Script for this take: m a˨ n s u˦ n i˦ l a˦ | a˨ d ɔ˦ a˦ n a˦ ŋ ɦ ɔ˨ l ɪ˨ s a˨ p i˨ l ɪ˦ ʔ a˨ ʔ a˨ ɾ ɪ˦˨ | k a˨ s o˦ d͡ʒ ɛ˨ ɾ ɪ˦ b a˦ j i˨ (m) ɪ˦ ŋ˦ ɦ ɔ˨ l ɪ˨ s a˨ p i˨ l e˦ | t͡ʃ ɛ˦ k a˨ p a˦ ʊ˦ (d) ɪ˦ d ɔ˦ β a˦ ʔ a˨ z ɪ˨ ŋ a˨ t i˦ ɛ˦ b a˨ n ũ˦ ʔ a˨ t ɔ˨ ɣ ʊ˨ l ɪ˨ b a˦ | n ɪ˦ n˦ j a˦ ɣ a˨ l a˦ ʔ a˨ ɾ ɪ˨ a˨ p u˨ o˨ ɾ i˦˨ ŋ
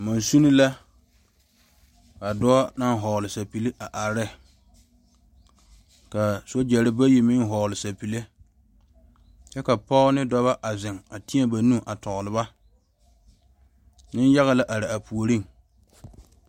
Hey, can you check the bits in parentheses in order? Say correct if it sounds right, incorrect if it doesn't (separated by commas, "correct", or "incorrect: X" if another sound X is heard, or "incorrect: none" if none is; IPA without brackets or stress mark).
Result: correct, incorrect: n